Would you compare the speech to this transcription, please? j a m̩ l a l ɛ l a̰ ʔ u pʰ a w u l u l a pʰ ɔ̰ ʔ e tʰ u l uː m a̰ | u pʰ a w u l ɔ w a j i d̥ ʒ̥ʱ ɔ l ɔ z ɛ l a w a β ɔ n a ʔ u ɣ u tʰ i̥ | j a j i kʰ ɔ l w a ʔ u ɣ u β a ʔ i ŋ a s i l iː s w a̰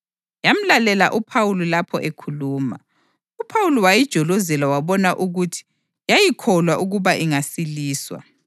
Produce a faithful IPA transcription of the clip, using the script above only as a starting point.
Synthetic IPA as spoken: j a m̩ l a l ɛ l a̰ ʔ u pʰ a w u l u l a pʰ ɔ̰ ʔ e kʰ u l uː m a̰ | u pʰ a w u l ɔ w a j i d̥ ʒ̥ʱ ɔ l ɔ z ɛ l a w a β ɔ n a ʔ u ɣ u tʰ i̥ | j a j i kʰ ɔ l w a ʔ u ɣ u β a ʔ i ŋ a s i l iː s w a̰